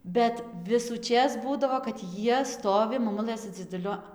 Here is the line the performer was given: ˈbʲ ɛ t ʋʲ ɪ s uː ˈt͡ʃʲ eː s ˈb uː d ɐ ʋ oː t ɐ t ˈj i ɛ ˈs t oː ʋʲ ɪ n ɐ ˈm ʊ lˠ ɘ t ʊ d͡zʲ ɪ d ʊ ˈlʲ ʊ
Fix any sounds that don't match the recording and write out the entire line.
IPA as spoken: ˈbʲ ɛ t ʋʲ ɪ s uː ˈt͡ʃʲ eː s ˈb uː d ɐ ʋ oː k ɐ t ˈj i ɛ ˈs t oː ʋʲ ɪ m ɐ ˈm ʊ lˠ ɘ s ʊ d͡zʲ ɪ d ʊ ˈlʲ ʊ